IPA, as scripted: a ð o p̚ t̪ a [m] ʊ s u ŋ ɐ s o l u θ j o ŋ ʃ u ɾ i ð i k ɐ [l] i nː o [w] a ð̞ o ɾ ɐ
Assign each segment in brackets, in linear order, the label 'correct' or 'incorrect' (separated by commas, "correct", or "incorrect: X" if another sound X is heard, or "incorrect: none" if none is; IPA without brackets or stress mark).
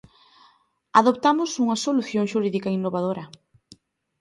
correct, incorrect: none, incorrect: β